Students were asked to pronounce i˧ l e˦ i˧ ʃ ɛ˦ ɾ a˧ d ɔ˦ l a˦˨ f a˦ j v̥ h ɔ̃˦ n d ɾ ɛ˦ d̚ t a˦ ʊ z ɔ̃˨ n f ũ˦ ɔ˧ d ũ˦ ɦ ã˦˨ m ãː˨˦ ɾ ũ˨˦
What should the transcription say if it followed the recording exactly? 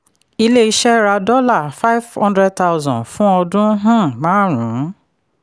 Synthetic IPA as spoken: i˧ l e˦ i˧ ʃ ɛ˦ ɾ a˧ d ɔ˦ l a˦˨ f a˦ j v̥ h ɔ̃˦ n d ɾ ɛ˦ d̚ t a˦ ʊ z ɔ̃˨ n f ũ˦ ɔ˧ d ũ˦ ɦ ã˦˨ m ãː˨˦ ɾ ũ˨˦